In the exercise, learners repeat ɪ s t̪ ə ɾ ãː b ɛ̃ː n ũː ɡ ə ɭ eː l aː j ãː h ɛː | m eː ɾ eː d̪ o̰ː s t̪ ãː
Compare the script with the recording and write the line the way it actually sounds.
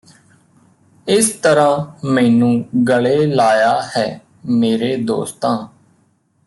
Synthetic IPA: ɪ s t̪ ə ɾ ãː m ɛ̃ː n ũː ɡ ə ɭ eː l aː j aː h ɛː | m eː ɾ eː d̪ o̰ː s t̪ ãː